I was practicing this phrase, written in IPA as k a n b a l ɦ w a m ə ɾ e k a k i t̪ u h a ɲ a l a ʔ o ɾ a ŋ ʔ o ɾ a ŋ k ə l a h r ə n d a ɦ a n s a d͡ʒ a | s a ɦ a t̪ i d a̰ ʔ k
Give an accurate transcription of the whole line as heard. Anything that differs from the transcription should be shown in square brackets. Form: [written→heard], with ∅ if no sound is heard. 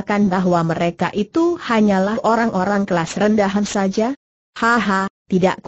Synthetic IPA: k a n b a [l→∅] ɦ w a m ə ɾ e k a [k→ʔ] i t̪ u h a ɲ a l a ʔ o ɾ a ŋ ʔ o ɾ a ŋ k ə l a [h→s] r ə n d a ɦ a n s a d͡ʒ a | [s→h] a ɦ a t̪ i d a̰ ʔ k